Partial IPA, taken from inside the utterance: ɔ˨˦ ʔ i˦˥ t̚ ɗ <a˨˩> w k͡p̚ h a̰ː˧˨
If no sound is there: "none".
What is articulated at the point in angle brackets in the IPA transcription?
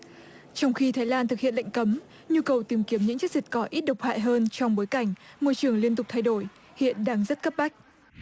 ə˨˩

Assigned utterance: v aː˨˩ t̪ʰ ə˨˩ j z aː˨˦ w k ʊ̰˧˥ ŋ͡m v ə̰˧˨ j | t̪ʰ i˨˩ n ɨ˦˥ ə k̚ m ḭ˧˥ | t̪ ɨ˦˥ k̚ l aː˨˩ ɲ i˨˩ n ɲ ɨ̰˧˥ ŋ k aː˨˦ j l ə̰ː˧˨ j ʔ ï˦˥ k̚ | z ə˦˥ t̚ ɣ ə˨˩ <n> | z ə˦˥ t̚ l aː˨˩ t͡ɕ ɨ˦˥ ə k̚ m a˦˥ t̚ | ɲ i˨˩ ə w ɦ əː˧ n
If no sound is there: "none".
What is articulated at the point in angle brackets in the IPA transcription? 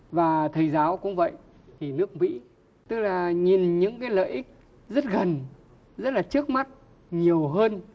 n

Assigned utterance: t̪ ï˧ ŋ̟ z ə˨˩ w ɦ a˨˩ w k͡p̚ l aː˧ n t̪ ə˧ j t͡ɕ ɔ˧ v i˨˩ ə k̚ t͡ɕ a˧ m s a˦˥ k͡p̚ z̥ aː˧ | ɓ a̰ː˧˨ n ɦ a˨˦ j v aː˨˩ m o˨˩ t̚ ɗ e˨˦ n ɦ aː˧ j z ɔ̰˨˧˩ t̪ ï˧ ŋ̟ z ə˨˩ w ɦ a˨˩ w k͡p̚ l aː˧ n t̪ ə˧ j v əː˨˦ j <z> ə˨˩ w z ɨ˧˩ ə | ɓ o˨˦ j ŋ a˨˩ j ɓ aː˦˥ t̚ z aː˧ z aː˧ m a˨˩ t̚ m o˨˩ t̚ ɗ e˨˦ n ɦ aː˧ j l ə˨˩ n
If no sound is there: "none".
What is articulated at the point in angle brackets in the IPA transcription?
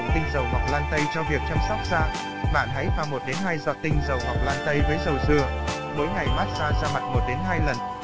z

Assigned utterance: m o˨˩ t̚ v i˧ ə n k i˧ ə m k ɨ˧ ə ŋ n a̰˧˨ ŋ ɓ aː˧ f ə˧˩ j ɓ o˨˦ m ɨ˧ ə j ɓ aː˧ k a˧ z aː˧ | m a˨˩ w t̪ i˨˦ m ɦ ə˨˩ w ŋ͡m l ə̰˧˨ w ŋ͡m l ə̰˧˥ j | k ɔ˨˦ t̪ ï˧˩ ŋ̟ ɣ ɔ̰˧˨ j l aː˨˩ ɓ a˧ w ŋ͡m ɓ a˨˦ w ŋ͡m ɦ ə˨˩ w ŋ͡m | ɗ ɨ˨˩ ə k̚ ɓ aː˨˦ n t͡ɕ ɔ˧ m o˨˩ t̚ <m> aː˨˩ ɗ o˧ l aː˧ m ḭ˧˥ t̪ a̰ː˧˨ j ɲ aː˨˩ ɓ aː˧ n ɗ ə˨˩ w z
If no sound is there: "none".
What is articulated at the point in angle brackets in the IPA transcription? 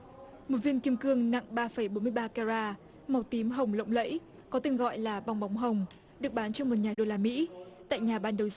ɲ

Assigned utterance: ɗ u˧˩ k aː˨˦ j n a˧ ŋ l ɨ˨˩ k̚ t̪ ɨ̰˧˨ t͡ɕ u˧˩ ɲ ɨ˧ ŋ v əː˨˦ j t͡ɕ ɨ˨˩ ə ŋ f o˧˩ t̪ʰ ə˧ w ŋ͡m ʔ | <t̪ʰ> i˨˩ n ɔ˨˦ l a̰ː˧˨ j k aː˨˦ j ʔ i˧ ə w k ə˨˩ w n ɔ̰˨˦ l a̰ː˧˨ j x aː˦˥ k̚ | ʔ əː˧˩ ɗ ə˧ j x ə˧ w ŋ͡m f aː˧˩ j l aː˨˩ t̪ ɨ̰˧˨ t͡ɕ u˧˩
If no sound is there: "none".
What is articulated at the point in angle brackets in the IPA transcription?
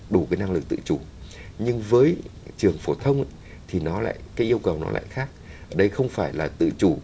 t̪ʰ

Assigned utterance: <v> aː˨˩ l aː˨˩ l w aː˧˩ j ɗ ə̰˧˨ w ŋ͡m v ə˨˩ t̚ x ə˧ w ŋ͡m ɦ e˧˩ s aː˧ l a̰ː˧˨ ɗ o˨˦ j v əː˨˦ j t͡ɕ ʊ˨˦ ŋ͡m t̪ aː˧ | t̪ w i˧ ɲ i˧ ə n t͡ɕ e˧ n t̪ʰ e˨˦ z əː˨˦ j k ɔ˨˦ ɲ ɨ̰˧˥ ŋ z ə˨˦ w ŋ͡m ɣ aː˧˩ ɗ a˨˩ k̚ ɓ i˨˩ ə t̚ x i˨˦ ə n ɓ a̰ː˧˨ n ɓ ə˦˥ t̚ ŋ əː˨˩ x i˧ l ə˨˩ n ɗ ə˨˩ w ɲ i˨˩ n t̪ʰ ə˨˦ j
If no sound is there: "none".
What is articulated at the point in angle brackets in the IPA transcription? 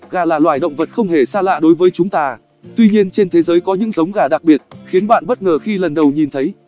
ɣ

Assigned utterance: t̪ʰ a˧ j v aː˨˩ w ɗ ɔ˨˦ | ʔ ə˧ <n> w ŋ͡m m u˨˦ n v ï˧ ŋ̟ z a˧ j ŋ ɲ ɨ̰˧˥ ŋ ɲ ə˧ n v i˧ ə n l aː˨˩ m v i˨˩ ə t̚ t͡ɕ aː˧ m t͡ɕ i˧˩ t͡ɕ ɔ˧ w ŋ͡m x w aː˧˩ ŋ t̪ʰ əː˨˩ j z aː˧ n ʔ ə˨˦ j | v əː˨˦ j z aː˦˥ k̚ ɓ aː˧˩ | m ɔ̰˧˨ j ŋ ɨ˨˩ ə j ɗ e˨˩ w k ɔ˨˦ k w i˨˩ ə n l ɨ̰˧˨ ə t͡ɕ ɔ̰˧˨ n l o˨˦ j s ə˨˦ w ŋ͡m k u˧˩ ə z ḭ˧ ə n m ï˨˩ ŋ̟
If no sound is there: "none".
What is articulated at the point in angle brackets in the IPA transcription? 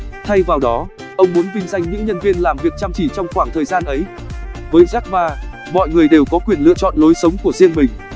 none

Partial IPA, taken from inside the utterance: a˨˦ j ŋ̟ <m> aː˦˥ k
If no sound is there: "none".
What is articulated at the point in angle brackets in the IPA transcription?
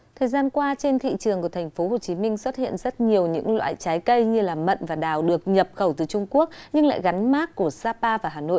m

